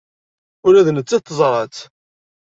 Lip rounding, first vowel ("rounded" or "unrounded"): rounded